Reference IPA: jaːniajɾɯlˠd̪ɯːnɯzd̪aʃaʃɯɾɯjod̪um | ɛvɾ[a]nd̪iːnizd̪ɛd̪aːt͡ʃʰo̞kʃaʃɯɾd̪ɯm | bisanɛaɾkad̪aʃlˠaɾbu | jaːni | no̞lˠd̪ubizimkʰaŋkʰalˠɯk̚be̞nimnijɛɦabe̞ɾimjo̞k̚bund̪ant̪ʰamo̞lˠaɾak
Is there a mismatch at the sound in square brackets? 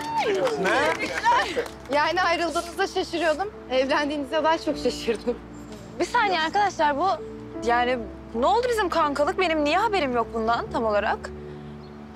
yes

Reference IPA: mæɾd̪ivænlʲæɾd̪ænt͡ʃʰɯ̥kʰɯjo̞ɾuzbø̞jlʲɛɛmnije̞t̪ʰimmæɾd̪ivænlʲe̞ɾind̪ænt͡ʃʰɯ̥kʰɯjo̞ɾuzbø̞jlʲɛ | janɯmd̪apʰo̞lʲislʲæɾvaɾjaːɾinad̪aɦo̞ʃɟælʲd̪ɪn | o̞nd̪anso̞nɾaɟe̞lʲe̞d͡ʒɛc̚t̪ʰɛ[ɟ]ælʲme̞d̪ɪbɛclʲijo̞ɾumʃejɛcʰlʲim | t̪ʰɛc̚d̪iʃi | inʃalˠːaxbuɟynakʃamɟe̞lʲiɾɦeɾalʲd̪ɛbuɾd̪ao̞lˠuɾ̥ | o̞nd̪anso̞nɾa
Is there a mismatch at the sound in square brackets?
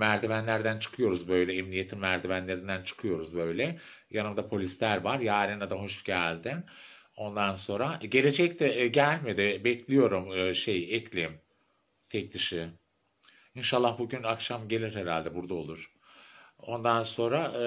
no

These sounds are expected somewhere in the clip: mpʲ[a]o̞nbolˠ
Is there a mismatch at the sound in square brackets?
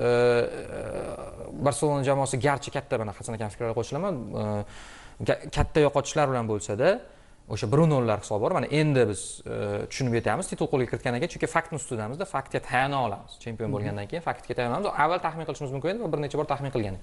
yes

